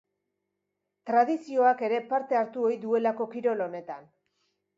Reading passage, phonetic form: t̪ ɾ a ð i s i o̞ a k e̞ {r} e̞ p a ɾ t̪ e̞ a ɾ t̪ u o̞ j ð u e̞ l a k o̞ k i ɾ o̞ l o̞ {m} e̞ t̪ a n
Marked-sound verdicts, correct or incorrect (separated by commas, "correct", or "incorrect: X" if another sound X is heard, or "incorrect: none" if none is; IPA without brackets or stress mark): incorrect: ɾ, incorrect: n